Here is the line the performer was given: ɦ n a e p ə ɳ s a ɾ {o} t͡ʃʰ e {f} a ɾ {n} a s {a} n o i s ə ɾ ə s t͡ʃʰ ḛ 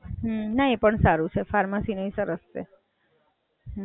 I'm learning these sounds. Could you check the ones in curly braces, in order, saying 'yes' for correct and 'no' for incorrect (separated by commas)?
no, yes, no, no